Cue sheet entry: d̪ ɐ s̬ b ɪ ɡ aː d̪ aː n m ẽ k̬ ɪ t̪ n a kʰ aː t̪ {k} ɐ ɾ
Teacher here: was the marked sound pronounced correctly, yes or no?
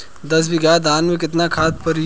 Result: no